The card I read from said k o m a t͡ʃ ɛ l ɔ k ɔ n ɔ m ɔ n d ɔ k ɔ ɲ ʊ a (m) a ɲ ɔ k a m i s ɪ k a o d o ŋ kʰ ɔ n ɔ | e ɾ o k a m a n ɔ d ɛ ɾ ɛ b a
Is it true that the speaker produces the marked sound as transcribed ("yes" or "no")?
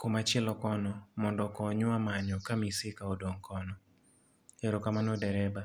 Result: yes